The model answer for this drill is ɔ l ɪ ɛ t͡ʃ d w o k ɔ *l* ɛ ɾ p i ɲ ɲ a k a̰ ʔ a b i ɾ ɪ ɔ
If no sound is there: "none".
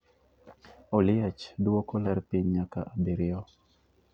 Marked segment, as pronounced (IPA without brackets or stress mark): l